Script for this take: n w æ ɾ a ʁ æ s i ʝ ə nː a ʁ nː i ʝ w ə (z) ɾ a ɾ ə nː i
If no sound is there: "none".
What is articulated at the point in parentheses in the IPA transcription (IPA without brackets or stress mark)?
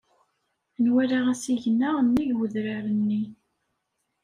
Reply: ð